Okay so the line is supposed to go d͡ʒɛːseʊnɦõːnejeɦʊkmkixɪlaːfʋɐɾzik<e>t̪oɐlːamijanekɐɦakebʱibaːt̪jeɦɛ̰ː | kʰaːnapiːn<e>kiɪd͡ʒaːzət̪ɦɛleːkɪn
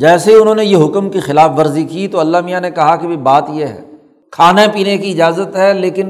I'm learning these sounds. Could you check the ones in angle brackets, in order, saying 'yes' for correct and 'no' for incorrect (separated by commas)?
no, yes